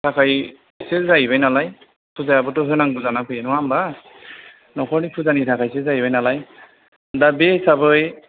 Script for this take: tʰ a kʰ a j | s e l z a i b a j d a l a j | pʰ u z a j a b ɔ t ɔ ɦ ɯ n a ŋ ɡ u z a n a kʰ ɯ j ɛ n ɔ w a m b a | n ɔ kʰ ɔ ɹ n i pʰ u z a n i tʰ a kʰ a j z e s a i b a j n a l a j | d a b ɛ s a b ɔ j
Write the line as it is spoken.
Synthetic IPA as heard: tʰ a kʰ a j | s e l z a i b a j n a l a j | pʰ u z a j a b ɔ t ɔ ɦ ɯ n a ŋ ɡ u z a n a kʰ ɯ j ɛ n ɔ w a m b a | n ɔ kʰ ɔ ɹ n i pʰ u z a n i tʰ a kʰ a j s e z a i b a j n a l a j | d a b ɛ s a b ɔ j